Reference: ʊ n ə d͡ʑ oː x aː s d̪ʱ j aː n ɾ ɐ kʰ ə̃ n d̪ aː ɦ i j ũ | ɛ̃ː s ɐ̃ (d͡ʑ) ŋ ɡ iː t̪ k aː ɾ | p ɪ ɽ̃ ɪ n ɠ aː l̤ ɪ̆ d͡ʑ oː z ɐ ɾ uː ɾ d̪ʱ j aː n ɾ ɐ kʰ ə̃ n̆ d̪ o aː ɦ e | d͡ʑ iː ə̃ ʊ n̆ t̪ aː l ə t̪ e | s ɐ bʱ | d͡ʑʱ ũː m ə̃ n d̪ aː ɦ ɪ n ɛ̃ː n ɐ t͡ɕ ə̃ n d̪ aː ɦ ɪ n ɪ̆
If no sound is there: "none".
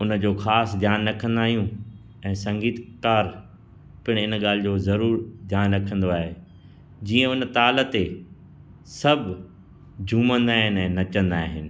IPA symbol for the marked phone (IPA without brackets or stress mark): none